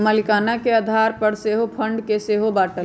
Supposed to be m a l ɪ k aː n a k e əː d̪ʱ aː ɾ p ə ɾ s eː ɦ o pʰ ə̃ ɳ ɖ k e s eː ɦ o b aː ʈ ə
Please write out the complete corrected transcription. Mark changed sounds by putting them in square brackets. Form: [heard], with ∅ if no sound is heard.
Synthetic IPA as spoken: m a l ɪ k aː n a k e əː d̪ʱ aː ɾ p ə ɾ s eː ɦ o pʰ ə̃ ɳ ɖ k e s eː ɦ o b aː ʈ ə